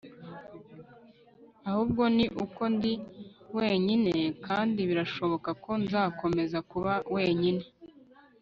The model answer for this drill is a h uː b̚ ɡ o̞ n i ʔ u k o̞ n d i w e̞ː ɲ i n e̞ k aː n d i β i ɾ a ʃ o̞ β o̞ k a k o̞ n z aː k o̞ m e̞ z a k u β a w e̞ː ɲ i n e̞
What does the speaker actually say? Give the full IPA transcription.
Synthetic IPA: a h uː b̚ ɡ o̞ n i ʔ u k o̞ n d i w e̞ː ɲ i n e̞ k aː n d i β i ɾ a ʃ o̞ β o̞ k a k o̞ n z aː k o̞ m e̞ z a k u β a w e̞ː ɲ i n e̞